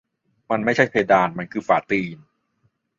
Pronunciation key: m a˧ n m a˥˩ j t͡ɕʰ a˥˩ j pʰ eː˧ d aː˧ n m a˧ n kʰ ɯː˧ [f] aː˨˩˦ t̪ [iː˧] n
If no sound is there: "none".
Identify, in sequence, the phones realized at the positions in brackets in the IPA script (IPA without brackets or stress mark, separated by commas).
f, iː˧